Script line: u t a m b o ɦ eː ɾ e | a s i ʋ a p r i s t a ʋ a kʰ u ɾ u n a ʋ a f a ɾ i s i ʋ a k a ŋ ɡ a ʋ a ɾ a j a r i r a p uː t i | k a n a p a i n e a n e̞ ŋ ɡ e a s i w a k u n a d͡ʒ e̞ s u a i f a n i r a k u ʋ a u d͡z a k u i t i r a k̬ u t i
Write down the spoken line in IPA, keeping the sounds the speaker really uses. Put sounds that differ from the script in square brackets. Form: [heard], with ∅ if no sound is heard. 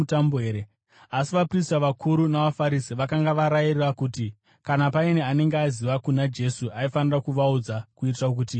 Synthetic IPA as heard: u t a m b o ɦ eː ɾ e | a s i ʋ a p r i s t a ʋ a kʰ u ɾ u n a ʋ a f a ɾ i s i ʋ a k a ŋ ɡ a ʋ a ɾ a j [i] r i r a [k] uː t i | k a n a p a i n e a n e̞ ŋ ɡ e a [z] i [ʋ] a k u n a d͡ʒ e̞ s u a i f a n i r a k u ʋ a u d͡z a k u i t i r a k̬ u t i

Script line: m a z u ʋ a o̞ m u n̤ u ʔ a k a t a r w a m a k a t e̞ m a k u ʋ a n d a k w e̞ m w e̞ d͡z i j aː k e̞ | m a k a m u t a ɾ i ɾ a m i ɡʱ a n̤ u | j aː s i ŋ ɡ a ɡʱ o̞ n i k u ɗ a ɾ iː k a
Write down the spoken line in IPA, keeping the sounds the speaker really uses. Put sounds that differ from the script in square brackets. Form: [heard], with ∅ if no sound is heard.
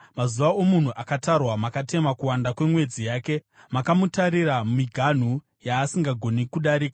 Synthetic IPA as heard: m a z u ʋ a o̞ m u n̤ u ʔ a k a t a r w a m a k a t e̞ m a k u [w] a n d a k w e̞ m w e̞ d͡z i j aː k e̞ | m a k a m u t a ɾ i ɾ a m i ɡʱ a n̤ u | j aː s i ŋ ɡ a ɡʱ o̞ n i k u ɗ a ɾ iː k a

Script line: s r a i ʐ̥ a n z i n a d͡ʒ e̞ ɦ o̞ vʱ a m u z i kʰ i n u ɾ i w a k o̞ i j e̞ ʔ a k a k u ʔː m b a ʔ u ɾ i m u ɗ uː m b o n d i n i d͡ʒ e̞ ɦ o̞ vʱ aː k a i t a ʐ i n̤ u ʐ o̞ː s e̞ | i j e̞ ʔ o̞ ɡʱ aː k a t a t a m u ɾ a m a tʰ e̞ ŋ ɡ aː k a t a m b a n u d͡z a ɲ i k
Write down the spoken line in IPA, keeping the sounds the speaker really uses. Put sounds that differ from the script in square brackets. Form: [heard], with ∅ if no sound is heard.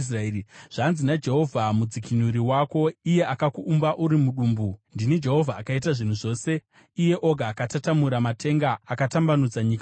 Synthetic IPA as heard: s r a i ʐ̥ a n z i n a d͡ʒ e̞ ɦ o̞ vʱ a m u [d͡z] i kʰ i n u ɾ i w a k o̞ i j e̞ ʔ a k a k u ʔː m b a ʔ u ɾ i m u ɗ uː m b [u] n d i n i d͡ʒ e̞ ɦ o̞ vʱ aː k a i t a ʐ i n̤ u ʐ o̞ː s e̞ | i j e̞ ʔ o̞ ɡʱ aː k a t a t a m u ɾ a m a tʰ e̞ ŋ ɡ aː k a t a m b a n u d͡z a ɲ i k

